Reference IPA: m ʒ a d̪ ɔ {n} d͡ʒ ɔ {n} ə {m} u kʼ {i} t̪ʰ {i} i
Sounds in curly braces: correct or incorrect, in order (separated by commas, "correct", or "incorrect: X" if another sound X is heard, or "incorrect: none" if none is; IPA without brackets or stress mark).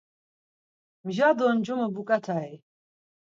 correct, incorrect: m, incorrect: b, incorrect: a, incorrect: a